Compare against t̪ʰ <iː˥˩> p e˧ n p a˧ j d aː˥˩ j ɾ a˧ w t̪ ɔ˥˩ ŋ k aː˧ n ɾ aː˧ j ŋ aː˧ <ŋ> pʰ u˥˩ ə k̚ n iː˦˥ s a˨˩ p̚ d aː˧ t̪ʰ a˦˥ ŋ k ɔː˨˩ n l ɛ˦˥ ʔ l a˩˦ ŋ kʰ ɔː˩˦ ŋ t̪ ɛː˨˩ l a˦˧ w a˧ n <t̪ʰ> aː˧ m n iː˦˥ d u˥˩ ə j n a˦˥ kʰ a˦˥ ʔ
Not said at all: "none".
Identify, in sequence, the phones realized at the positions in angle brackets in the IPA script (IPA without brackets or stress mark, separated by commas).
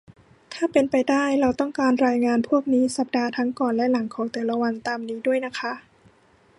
aː˥˩, n, t̪